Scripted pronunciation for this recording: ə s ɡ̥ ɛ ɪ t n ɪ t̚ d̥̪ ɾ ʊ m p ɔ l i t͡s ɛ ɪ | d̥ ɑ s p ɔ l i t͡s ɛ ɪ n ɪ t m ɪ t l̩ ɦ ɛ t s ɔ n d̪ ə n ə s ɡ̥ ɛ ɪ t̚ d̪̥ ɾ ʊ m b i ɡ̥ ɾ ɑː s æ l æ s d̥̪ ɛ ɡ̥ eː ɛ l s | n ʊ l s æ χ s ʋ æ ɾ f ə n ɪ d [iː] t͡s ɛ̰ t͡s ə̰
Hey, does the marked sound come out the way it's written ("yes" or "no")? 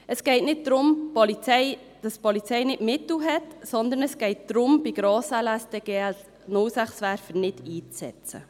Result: yes